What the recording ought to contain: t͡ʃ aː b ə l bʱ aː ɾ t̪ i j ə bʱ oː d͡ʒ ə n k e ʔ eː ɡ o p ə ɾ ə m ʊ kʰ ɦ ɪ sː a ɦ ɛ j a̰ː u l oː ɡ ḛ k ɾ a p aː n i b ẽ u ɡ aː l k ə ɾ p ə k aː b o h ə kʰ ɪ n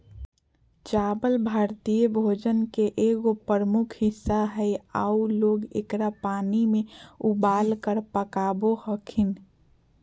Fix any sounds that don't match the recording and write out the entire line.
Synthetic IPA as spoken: t͡ʃ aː b ə l bʱ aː ɾ t̪ i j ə bʱ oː d͡ʒ ə n k e ʔ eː ɡ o p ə ɾ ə m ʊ kʰ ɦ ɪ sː a ɦ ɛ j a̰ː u l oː ɡ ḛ k ɾ a p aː n i m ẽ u b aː l k ə ɾ p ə k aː b o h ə kʰ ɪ n